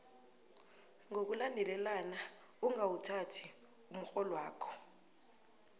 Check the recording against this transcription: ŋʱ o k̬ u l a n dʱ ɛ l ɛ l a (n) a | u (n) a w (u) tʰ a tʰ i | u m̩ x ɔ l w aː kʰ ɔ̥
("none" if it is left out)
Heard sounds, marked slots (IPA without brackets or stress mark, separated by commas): n, ŋ, u